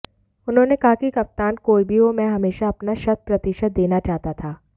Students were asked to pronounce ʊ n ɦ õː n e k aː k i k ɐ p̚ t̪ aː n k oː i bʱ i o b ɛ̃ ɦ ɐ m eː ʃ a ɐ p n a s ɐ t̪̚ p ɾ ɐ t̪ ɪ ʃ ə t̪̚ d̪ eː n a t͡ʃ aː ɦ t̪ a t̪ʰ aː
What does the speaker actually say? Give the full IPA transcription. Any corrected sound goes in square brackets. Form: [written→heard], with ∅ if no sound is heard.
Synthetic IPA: ʊ n ɦ õː n e k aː k i k ɐ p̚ t̪ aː n k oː i bʱ i o [b→m] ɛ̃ ɦ ɐ m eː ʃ a ɐ p n a [s→ʃ] ɐ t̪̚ p ɾ ɐ t̪ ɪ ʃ ə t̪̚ d̪ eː n a t͡ʃ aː ɦ t̪ a t̪ʰ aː